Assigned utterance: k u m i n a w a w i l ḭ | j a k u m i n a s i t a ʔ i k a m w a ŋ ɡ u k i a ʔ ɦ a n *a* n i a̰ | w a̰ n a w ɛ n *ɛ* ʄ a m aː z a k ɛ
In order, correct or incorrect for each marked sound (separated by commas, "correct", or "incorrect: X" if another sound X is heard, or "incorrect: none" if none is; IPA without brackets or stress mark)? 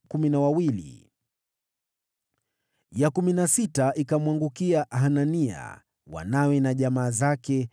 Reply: correct, incorrect: a